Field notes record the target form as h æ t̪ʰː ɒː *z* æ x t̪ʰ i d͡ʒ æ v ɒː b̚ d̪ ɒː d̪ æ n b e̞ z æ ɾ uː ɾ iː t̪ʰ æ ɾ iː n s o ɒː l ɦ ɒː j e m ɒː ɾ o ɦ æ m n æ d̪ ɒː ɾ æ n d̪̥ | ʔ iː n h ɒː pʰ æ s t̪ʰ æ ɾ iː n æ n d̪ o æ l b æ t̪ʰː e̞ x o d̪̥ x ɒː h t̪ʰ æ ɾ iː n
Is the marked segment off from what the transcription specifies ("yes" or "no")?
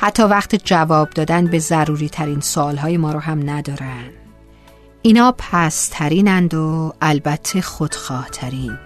yes